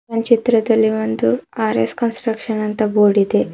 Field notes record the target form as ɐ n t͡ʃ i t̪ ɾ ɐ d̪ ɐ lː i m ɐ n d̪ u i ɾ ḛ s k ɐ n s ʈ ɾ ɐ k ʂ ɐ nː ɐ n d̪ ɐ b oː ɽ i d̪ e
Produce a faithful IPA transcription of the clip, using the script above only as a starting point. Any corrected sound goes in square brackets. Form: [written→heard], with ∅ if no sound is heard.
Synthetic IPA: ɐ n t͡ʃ i t̪ ɾ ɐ d̪ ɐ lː i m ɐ n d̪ u [i→a] ɾ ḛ s k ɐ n s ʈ ɾ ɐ k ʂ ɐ [nː→n] ɐ n [d̪→t̪] ɐ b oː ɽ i d̪ e